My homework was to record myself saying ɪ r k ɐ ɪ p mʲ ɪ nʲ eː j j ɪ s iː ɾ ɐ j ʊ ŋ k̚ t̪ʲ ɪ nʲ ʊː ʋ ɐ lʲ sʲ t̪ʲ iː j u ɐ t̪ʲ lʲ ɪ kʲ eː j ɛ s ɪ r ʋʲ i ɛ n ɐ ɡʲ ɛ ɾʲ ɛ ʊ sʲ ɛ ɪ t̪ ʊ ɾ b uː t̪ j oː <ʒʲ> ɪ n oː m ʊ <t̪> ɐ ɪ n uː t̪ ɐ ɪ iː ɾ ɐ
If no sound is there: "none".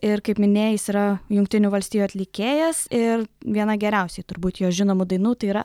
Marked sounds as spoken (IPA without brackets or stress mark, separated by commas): ʒʲ, d̪